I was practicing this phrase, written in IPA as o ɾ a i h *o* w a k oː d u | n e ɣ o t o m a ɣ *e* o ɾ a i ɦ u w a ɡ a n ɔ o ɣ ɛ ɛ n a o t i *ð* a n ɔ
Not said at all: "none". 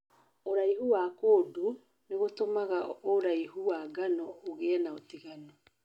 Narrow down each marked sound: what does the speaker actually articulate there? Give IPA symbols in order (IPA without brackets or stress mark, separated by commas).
u, a, ɣ